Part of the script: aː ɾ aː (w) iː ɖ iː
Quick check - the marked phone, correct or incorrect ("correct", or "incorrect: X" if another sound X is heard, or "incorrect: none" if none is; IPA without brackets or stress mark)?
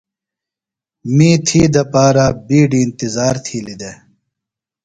incorrect: b